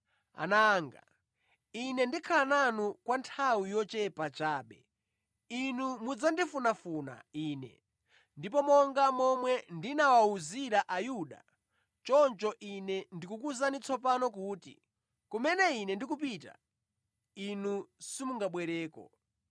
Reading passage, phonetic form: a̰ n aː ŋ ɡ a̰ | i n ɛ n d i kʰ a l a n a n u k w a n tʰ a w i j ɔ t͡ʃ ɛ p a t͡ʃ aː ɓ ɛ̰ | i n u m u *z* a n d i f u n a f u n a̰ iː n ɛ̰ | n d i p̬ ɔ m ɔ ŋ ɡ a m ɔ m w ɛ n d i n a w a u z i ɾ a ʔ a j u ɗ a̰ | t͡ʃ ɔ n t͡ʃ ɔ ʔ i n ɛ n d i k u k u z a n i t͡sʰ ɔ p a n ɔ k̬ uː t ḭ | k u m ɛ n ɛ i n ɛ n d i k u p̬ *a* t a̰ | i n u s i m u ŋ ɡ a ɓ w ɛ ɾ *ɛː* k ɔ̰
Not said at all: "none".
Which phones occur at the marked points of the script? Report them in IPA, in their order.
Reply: d͡z, i, ɛː

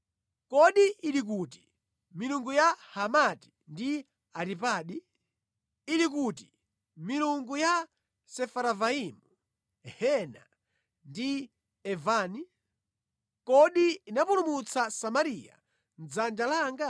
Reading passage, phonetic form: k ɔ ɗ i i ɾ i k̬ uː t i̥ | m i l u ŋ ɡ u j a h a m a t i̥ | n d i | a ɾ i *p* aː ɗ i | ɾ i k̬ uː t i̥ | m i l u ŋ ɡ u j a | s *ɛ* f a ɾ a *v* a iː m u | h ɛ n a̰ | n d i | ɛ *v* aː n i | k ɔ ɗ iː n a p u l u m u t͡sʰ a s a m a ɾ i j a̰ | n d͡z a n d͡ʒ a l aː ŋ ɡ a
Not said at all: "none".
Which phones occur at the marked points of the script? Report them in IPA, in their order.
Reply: p, ɛ, v, v

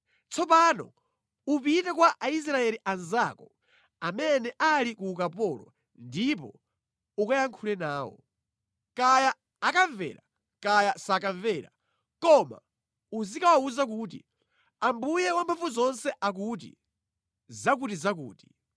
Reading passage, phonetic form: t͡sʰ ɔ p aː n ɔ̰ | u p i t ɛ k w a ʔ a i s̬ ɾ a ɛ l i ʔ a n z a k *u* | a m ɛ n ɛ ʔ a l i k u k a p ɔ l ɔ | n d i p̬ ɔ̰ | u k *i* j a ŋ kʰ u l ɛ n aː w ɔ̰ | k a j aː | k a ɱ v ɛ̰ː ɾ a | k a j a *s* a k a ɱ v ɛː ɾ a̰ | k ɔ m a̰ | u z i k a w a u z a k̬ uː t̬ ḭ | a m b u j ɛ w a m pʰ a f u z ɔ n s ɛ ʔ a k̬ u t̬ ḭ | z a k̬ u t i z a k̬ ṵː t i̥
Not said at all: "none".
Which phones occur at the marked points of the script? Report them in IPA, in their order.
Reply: ɔ, a, s

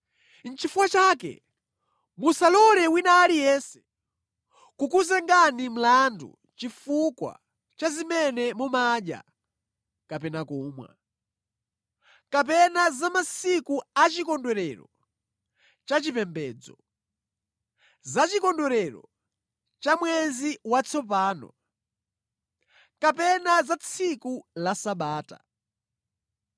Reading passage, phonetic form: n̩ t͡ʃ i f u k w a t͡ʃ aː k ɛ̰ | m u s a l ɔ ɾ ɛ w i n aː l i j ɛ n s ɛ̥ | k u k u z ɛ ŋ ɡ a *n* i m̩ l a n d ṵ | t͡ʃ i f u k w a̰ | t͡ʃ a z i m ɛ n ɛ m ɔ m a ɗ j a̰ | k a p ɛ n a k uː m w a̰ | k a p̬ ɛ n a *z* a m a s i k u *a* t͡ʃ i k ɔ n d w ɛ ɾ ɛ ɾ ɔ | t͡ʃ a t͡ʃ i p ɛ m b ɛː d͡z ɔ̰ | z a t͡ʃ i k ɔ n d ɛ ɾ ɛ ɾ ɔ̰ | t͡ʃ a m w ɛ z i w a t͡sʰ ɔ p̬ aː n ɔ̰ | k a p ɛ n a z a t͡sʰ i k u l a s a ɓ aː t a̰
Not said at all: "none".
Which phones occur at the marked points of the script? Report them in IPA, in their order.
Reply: n, z, a

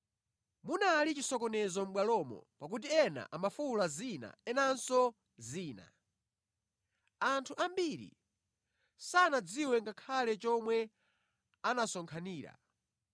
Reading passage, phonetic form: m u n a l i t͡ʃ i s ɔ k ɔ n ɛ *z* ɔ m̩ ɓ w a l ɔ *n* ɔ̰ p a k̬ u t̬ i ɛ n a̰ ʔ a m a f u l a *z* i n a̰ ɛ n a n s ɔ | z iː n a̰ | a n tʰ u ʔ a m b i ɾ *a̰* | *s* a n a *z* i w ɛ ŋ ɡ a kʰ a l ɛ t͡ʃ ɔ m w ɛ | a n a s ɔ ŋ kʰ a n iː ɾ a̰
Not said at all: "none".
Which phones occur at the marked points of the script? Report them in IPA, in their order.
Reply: z, m, z, ḭ, s, d͡z

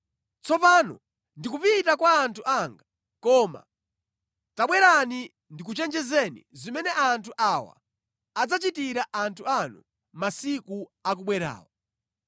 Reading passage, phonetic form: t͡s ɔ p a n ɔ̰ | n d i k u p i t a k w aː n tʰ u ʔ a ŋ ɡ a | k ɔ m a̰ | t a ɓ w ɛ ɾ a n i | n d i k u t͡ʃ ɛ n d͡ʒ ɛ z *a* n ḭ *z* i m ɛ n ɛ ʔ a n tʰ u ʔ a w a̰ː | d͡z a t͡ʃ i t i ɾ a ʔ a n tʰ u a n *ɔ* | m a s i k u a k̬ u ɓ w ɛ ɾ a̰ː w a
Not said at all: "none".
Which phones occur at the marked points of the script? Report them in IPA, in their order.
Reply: ɛ, z, u

